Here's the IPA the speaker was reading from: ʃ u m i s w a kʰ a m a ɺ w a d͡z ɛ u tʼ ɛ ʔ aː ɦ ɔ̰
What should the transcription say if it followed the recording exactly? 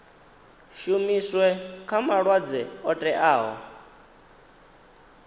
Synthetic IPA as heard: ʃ u m i s w ɛ kʰ a m a ɺ w a d͡z ɛ ɔ tʼ ɛ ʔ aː ɦ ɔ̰